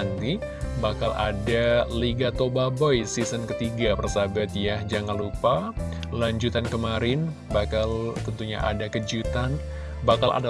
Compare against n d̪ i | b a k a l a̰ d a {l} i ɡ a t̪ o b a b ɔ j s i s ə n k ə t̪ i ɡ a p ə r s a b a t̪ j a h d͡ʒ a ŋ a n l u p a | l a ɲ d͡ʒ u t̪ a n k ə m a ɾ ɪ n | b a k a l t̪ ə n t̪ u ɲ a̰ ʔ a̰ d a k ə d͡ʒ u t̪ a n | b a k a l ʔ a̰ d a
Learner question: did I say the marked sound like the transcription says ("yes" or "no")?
yes